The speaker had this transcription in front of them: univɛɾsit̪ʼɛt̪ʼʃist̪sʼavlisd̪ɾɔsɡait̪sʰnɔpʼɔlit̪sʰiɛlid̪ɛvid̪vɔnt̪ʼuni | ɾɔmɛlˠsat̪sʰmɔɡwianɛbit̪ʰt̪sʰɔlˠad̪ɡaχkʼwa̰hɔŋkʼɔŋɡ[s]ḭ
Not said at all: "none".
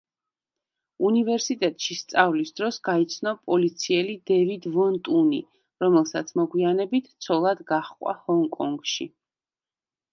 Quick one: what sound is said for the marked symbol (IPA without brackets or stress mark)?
ʃ